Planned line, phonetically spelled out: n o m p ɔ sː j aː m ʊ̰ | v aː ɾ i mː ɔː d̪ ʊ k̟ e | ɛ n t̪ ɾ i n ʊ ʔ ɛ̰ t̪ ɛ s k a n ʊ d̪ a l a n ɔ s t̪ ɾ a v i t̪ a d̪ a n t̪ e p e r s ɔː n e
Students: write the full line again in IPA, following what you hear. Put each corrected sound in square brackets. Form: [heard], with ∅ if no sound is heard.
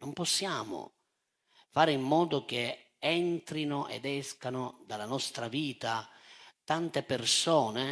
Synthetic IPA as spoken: n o m p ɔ sː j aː m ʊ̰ | [f] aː ɾ i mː ɔː d̪ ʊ k̟ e | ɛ n t̪ ɾ i n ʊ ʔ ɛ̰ [d̪] ɛ s k a n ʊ d̪ a l a n ɔ s t̪ ɾ a v [iː] t̪ a [t̪] a n t̪ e p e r s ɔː n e